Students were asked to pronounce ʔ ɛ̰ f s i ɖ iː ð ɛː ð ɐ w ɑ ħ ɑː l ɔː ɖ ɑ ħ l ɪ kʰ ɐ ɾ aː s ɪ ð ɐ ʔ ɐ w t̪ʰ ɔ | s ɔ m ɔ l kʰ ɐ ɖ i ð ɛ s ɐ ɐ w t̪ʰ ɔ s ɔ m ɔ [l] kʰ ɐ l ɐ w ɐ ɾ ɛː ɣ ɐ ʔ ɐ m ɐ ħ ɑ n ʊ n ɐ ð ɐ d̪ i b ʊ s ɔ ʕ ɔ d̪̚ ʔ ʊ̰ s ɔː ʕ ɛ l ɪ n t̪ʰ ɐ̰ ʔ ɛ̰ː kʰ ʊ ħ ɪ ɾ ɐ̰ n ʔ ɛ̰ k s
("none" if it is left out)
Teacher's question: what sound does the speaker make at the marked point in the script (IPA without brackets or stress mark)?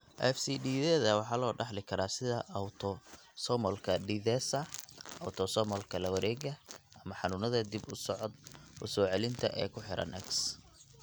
l